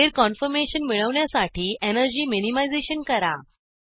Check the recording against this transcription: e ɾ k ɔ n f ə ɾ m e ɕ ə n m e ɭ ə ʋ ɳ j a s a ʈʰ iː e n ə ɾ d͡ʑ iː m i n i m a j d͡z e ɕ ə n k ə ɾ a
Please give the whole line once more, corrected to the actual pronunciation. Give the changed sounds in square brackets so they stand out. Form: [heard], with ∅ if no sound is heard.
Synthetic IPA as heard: e ɾ k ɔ n f ə ɾ m e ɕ ə n m [i] ɭ ə ʋ ɳ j a s a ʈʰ iː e n ə ɾ d͡ʑ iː m i n i m a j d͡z e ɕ ə n k ə ɾ a